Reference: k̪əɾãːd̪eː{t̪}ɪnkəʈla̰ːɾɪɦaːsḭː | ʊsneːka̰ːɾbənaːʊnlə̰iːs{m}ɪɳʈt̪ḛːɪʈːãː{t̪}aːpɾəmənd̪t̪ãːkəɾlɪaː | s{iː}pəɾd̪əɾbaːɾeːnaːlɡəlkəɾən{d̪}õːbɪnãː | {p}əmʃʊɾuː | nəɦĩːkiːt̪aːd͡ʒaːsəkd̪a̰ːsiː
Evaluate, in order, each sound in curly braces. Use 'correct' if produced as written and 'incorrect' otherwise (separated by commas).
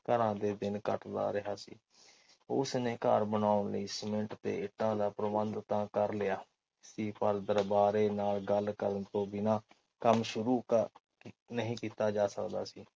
incorrect, correct, incorrect, correct, incorrect, incorrect